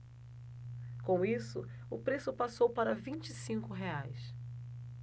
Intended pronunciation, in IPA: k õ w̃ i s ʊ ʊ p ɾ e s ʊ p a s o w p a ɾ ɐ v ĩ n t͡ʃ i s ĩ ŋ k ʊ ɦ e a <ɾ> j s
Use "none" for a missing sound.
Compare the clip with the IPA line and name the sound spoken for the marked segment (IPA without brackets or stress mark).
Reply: none